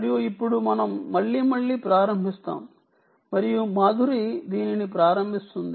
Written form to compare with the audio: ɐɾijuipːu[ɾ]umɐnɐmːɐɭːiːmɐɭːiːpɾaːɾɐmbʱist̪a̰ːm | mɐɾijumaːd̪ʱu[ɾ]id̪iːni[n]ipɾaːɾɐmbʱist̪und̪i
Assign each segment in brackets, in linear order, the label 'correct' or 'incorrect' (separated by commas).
incorrect, correct, correct